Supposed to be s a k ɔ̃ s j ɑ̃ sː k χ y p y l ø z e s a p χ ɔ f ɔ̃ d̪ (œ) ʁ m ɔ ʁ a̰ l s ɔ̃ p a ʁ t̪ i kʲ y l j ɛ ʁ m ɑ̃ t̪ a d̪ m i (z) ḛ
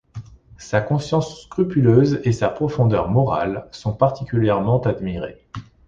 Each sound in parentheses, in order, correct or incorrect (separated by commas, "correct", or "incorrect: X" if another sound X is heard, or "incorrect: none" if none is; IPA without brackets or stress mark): correct, incorrect: ʁ